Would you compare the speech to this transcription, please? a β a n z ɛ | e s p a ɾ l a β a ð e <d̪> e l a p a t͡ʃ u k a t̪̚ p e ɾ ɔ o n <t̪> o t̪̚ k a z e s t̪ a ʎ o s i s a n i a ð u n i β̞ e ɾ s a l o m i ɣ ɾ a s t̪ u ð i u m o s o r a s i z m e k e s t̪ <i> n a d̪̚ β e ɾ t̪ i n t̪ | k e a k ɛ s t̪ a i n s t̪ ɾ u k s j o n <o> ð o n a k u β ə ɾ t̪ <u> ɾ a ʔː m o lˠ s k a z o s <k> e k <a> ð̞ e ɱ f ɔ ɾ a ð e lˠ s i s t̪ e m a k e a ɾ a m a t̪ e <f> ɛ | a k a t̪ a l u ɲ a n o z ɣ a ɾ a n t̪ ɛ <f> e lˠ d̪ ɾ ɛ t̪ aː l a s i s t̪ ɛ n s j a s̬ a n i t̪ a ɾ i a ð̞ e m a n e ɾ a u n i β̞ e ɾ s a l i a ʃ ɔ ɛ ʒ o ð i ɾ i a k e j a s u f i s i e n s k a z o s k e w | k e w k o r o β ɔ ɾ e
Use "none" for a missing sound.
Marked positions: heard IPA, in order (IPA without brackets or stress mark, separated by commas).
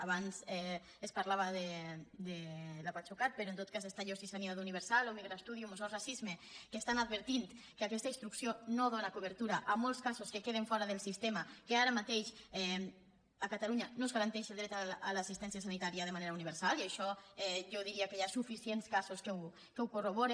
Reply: d̪, t̪, a, o, u, k, e, ʃ, ʃ